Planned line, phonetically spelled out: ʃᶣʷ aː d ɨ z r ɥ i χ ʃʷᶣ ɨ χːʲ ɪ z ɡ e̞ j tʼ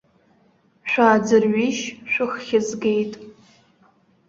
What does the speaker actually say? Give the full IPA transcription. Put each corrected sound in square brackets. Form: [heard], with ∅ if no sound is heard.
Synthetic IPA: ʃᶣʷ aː [d͡z] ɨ [∅] r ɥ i [ʃ] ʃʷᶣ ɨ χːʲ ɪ z ɡ e̞ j tʼ